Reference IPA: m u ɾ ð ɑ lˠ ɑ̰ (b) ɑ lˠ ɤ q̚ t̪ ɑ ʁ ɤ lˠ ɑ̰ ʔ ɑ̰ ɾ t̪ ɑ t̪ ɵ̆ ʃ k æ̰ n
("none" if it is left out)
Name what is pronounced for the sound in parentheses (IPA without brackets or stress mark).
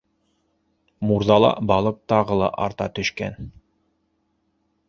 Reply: b